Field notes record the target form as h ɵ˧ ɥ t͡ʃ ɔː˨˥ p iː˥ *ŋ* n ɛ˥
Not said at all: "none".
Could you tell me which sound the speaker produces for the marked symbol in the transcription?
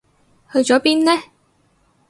n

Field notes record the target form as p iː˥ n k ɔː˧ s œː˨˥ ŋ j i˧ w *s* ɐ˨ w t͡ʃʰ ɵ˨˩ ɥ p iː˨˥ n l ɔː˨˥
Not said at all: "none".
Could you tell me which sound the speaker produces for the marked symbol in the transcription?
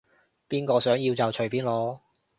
t͡s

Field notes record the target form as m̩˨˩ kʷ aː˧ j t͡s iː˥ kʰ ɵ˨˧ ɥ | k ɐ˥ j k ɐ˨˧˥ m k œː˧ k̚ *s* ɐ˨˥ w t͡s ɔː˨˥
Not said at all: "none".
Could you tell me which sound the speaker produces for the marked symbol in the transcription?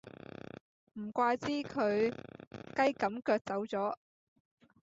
t͡s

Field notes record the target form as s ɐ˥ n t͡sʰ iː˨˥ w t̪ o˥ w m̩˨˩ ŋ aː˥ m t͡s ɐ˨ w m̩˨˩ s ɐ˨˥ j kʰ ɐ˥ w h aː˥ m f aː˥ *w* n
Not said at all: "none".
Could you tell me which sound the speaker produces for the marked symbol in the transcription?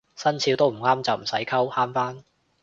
none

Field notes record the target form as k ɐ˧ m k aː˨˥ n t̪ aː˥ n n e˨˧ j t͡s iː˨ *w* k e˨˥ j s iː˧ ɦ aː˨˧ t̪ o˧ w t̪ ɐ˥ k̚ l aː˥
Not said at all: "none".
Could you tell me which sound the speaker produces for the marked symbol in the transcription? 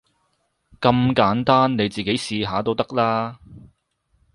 none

